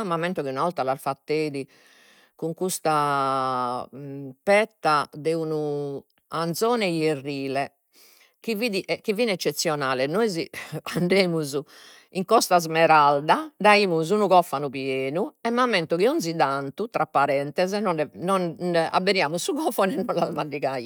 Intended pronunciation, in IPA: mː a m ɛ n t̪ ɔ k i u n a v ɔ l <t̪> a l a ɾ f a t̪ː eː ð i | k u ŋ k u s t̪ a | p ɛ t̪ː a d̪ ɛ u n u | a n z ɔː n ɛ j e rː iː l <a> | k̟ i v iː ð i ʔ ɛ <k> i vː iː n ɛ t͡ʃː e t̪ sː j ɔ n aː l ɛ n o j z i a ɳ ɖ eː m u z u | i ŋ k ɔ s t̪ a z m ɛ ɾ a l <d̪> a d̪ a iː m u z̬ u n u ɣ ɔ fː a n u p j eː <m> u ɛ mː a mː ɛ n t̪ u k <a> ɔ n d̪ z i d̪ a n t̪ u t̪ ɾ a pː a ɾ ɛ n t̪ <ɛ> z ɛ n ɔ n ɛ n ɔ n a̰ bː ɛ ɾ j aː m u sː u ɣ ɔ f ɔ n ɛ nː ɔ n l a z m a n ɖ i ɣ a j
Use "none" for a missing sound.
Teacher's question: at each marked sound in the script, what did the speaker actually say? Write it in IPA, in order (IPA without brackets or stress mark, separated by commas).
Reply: t̪, ɛ, k, d̪, n, i, ɛ